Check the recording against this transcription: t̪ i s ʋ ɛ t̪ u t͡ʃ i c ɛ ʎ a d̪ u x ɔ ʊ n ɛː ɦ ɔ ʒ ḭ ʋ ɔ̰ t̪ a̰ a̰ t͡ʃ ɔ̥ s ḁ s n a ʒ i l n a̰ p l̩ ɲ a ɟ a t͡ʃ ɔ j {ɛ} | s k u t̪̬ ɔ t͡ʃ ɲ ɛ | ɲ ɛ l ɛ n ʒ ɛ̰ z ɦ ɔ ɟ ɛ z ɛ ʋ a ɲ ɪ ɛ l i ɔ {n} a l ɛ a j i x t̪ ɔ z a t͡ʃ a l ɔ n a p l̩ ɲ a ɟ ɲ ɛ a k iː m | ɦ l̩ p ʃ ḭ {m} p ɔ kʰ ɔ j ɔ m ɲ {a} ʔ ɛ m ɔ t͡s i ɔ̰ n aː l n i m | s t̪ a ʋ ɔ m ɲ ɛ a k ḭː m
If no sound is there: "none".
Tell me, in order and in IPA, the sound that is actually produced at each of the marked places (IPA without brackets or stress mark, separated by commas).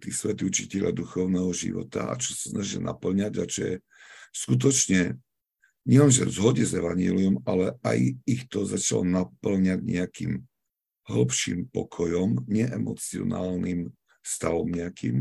ɛ, m, m, ɛ